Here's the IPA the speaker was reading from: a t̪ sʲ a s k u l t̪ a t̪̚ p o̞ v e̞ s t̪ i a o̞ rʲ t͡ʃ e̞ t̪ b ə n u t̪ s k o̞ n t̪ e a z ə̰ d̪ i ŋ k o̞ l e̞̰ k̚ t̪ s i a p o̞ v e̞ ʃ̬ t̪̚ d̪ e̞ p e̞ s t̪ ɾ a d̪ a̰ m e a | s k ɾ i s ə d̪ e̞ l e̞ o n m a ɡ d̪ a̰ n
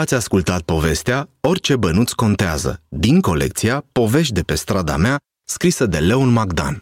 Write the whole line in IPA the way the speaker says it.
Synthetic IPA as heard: a t̪ sʲ a s k u l t̪ a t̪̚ p o̞ v e̞ s t̪ e a o̞ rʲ t͡ʃ e̞ b ə n u t̪ s k o̞ n t̪ e a z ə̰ d̪ i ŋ k o̞ l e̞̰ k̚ t̪ s i a p o̞ v e̞ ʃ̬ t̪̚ d̪ e̞ p e̞ s t̪ ɾ a d̪ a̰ m e a | s k ɾ i s ə d̪ e̞ l e̞ o n m a ɡ d̪ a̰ n